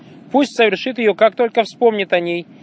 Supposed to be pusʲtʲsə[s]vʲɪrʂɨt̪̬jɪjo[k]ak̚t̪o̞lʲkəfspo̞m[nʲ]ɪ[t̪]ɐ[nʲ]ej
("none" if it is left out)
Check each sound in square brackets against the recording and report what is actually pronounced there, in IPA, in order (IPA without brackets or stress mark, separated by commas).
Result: none, k, nʲ, t̪, nʲ